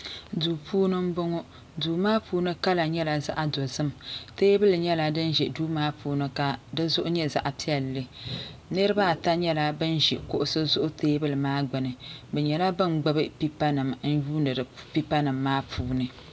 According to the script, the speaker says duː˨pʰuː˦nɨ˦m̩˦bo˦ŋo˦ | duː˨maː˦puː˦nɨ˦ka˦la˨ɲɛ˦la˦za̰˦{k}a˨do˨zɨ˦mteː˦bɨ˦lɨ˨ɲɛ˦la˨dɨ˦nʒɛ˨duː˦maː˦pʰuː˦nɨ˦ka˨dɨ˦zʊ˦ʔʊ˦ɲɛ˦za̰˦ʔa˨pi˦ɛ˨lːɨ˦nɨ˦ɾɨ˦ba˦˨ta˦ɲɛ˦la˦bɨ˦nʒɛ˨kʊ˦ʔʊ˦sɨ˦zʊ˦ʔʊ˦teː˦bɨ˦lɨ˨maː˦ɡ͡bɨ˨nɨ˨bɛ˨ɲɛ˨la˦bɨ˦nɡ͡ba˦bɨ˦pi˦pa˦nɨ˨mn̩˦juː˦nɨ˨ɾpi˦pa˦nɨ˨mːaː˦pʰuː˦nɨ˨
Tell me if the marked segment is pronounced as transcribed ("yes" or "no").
no